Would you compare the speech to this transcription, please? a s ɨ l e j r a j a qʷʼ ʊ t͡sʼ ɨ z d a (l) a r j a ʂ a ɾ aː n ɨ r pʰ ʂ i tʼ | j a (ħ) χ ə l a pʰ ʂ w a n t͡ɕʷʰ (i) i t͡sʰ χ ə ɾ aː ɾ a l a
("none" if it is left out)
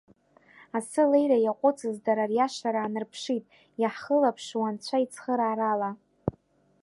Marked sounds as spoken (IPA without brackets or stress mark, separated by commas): ɾ, ħ, a